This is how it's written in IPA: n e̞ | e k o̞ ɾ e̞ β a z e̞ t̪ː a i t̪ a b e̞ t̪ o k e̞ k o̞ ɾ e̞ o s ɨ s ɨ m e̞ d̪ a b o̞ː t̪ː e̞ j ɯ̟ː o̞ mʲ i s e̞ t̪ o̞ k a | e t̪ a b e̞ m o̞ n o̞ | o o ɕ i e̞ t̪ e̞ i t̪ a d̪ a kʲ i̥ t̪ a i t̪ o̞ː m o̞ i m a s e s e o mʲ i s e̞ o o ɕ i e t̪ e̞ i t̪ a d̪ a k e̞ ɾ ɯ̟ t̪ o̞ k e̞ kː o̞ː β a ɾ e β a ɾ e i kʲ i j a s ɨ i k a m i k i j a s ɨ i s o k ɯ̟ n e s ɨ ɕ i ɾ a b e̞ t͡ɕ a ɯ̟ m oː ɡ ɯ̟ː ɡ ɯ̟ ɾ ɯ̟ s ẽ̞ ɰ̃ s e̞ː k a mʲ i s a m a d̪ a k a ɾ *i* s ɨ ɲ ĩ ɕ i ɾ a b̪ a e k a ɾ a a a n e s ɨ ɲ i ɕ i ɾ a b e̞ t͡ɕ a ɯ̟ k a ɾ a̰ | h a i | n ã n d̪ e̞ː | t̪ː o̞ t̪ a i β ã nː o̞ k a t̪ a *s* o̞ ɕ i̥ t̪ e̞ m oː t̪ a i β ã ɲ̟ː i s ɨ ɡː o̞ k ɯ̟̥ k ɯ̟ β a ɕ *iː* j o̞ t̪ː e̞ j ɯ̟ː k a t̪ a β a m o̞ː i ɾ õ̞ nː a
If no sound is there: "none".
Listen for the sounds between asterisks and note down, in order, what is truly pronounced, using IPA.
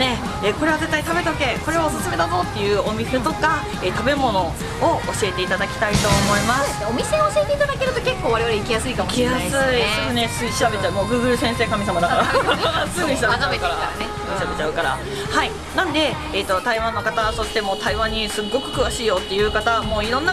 a, s, iː

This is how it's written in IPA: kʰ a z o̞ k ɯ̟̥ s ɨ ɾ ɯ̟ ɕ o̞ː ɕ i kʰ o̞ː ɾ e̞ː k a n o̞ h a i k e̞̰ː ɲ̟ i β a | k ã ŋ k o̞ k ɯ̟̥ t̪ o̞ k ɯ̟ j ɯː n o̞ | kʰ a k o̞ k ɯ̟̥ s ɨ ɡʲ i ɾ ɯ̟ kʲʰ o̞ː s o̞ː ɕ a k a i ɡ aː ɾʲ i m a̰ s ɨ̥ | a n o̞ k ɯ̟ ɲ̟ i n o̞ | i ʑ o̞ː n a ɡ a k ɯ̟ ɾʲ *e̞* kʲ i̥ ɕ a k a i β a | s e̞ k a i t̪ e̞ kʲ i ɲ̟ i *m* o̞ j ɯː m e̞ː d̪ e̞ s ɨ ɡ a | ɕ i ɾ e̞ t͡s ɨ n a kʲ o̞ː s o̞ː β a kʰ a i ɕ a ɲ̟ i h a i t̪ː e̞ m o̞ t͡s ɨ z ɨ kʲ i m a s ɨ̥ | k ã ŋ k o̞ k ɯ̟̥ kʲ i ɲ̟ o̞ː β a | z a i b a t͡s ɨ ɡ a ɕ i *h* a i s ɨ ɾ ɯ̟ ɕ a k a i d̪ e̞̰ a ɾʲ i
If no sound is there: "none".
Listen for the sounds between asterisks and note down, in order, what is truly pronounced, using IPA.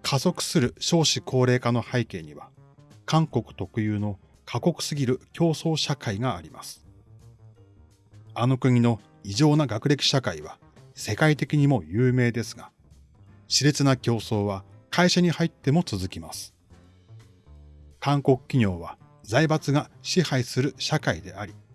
e̞, m, h

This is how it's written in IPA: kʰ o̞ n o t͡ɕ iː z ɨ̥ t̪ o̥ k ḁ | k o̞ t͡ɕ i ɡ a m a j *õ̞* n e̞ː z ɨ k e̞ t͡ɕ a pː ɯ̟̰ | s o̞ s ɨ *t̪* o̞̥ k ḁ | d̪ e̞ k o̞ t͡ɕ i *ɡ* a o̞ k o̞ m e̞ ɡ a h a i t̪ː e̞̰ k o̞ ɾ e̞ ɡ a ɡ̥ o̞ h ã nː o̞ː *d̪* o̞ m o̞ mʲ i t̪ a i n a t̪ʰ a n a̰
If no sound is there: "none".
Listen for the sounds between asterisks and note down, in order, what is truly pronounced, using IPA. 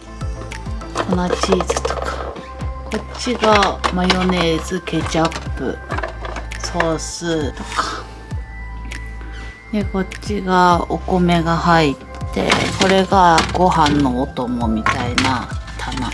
o̞, t̪, ɡ, t̪

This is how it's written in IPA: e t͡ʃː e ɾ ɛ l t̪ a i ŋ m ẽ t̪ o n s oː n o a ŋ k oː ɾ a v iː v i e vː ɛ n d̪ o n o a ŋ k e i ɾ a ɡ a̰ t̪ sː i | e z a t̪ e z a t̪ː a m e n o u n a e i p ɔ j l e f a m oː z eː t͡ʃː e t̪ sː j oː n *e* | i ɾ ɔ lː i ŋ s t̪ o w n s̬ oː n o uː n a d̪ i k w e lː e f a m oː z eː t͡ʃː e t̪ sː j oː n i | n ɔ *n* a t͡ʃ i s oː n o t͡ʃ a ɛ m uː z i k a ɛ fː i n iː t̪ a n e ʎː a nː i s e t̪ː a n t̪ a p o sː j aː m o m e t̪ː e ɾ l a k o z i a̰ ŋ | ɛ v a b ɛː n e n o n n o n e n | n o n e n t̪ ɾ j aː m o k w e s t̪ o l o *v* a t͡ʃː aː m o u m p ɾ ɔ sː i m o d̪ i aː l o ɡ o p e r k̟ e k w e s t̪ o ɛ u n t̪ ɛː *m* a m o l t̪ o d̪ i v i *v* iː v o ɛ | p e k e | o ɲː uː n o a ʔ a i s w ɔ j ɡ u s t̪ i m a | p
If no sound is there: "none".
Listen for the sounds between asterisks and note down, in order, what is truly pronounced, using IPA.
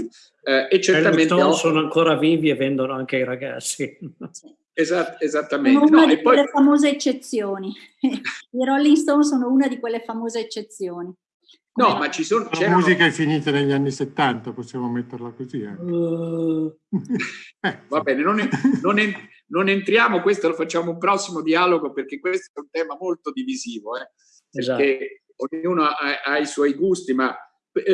i, m, f, m, z

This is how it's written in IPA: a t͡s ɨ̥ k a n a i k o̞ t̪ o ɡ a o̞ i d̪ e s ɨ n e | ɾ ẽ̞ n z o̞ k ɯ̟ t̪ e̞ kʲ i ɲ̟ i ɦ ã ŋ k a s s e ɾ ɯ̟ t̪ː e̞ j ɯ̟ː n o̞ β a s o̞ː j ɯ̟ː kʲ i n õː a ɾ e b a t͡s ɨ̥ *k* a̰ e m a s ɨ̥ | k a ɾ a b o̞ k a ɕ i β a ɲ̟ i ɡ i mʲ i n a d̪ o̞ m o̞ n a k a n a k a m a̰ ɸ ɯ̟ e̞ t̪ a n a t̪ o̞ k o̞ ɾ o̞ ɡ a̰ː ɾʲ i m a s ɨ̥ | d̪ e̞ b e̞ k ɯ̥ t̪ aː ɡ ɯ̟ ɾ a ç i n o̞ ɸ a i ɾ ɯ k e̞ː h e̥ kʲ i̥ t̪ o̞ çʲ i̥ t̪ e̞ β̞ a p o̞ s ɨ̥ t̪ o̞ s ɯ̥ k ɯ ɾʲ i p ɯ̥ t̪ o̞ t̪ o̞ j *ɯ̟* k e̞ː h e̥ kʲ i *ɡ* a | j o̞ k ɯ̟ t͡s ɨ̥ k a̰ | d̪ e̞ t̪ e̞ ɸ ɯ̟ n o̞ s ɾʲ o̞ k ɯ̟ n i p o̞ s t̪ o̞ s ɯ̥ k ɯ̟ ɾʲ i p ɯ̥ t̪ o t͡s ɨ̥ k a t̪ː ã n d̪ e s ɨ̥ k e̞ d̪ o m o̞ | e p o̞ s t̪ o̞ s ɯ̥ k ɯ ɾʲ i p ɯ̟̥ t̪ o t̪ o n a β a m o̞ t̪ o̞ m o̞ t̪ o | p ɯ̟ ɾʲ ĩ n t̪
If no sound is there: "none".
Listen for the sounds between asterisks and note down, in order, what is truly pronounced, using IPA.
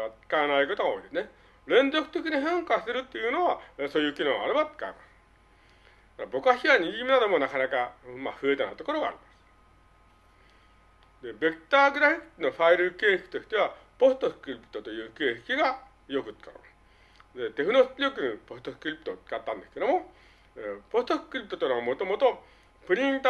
k, ɯ̟ː, ɡ

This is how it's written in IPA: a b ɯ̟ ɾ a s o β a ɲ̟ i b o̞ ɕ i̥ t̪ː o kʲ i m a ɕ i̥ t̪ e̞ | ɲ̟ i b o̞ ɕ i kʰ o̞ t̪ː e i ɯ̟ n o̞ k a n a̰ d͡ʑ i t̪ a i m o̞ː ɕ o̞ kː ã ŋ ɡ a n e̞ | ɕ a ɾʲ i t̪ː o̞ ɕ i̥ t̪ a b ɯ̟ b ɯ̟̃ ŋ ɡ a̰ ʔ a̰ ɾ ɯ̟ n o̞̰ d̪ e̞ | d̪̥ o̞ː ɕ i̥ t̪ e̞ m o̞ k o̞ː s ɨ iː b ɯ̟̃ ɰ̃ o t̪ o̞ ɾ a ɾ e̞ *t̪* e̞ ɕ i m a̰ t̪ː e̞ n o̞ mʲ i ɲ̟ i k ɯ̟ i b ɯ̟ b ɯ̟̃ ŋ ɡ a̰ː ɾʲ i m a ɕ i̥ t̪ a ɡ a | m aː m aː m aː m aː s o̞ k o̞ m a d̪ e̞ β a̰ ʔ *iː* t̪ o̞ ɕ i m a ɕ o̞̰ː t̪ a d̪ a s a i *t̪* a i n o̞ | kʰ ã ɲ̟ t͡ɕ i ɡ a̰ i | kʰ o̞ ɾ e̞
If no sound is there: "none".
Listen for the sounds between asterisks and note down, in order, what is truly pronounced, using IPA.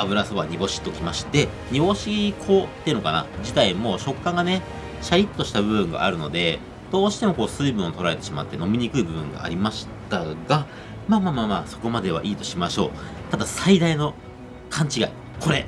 t̪, iː, d̪

